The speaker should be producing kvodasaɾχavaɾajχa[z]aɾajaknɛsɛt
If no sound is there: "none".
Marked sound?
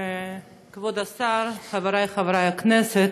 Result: v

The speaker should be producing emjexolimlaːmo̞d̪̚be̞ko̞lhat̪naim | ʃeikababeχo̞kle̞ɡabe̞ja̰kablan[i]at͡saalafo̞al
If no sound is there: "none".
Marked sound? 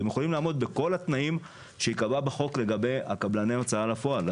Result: e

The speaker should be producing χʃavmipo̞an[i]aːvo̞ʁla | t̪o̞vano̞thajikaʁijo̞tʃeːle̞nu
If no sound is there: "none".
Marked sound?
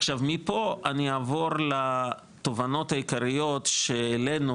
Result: i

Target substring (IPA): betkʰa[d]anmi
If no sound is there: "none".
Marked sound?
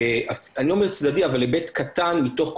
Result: t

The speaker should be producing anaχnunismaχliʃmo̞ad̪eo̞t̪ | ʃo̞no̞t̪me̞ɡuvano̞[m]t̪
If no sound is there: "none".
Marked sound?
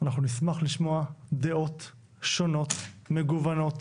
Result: none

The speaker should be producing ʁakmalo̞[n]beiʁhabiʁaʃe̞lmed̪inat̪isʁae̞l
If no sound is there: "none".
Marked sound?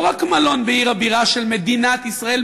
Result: n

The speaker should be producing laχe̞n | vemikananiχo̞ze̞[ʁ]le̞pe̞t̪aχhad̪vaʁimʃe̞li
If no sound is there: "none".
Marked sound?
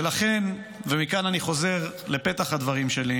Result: ʁ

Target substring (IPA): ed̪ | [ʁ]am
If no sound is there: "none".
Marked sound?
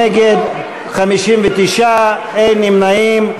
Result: χ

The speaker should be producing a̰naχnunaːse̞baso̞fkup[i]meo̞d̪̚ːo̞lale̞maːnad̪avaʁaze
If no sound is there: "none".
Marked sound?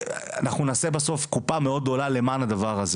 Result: a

